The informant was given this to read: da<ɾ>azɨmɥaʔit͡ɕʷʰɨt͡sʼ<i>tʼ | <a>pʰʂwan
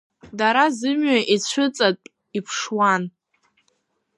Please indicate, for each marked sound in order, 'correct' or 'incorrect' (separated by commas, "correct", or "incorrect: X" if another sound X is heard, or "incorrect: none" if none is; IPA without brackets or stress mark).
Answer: correct, incorrect: a, incorrect: i